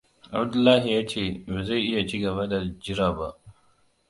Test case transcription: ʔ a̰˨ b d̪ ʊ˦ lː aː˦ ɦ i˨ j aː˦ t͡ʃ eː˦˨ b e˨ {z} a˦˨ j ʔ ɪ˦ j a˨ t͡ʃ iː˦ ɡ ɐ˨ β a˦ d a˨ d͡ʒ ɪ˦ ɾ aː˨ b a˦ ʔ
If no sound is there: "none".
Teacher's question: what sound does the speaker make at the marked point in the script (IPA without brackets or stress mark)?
z